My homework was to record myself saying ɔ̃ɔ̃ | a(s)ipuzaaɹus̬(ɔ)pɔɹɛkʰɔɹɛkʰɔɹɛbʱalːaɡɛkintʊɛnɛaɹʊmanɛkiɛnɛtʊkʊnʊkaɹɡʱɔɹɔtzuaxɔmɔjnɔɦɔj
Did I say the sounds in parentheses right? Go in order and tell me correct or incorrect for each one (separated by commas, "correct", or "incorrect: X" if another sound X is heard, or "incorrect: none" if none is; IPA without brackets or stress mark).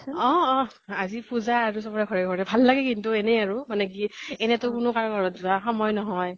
incorrect: z, correct